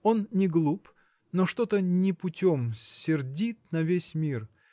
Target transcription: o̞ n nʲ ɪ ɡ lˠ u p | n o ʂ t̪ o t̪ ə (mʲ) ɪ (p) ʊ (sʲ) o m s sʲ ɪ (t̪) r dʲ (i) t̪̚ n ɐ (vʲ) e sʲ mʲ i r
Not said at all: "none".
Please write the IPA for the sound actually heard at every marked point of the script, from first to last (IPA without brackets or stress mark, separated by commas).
nʲ, p, tʲ, none, i, vʲ